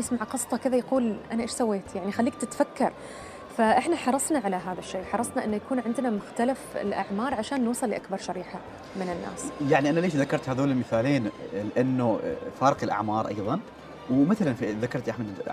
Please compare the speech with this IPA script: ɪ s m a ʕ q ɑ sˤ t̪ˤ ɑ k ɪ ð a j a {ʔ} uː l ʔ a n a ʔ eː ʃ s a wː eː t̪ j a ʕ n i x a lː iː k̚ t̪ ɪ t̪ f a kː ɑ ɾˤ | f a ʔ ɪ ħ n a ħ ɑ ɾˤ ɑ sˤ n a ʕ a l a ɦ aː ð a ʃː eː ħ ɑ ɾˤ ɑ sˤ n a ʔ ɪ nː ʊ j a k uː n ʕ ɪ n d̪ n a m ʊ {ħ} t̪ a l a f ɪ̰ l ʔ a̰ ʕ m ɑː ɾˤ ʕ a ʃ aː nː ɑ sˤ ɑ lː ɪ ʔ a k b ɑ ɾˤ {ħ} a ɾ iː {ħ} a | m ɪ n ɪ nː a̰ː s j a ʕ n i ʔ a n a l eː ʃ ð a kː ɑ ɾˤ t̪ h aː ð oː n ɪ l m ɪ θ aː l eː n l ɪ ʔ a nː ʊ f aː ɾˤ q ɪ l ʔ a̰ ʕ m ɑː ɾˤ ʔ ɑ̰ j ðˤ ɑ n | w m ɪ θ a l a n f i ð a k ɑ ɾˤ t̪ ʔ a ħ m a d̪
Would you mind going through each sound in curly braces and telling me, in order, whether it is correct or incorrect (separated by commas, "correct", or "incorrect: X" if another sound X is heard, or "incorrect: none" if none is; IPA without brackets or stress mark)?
incorrect: q, incorrect: x, incorrect: ʃ, correct